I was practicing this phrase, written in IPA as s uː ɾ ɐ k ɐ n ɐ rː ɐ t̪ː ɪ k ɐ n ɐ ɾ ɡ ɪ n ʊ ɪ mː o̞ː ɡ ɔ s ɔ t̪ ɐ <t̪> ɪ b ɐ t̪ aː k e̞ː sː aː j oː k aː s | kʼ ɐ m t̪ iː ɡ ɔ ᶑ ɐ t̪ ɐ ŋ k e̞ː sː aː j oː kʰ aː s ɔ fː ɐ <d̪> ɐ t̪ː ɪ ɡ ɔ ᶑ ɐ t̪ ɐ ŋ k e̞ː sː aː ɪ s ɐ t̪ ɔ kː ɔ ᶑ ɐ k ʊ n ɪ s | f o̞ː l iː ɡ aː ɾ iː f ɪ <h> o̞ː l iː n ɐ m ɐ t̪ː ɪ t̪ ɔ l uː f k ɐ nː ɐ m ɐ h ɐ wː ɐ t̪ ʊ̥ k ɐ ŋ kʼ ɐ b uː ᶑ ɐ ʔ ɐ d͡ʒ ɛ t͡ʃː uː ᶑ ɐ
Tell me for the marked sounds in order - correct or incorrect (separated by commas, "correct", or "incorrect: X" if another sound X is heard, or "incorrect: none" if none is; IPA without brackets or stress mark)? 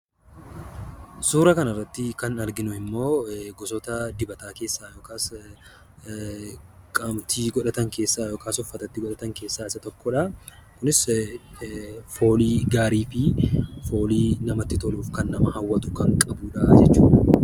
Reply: incorrect: d̪, incorrect: t̪, incorrect: f